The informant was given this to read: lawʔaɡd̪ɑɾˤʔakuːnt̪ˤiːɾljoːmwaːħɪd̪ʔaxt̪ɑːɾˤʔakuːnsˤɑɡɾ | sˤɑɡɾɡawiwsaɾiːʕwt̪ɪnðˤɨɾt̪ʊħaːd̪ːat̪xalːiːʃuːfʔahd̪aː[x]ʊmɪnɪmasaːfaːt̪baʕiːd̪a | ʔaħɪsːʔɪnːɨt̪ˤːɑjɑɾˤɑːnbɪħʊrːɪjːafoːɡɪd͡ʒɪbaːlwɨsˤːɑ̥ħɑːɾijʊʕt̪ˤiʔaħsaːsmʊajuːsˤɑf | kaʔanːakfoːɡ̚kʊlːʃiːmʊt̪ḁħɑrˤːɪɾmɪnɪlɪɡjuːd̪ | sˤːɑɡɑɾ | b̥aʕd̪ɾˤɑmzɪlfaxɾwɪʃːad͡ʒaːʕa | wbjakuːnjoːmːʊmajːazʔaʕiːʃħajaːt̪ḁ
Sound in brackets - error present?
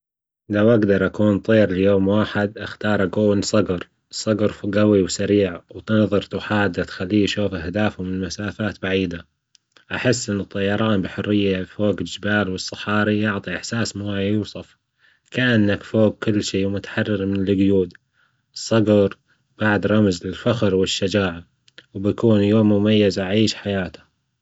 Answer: yes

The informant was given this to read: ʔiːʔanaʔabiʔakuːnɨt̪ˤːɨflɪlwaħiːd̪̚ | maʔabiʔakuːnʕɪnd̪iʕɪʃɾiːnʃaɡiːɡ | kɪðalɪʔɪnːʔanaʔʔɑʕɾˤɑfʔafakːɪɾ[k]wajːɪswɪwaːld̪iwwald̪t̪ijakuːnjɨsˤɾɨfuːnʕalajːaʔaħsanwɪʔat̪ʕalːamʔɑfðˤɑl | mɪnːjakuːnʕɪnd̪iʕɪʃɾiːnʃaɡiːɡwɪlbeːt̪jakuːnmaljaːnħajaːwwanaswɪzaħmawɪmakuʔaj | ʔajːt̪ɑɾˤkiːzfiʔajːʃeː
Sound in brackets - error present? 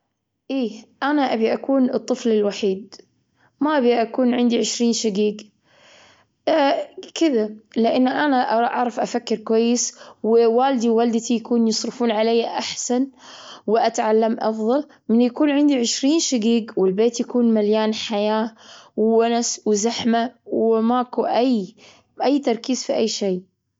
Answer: no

